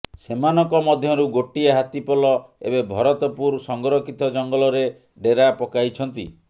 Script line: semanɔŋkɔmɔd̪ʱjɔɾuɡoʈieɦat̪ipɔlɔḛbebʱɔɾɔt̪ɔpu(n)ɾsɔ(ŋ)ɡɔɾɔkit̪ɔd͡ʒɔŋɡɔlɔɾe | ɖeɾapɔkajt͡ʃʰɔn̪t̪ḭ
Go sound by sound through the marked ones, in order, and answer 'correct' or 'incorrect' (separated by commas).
incorrect, correct